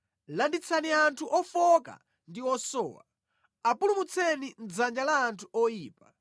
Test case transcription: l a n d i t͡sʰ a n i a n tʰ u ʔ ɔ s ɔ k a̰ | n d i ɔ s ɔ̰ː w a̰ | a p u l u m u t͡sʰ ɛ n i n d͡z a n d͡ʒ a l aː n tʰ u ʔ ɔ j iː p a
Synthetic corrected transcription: l a n d i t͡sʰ a n i a n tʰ u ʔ ɔ f ɔ k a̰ | n d i ɔ s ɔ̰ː w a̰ | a p u l u m u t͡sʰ ɛ n i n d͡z a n d͡ʒ a l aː n tʰ u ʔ ɔ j iː p a

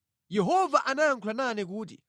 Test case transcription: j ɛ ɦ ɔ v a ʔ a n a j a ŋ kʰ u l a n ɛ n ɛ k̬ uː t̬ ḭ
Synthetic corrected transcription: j ɛ ɦ ɔ v a ʔ a n a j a ŋ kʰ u l a n a n ɛ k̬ uː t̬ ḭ

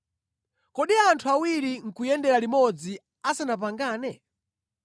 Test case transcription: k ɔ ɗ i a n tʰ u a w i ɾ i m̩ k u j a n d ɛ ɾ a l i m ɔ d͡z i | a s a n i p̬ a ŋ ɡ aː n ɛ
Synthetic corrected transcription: k ɔ ɗ i a n tʰ u a w i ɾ i ŋ̩ k u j ɛ n d ɛ ɾ a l i m ɔ d͡z i | a s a n a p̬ a ŋ ɡ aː n ɛ

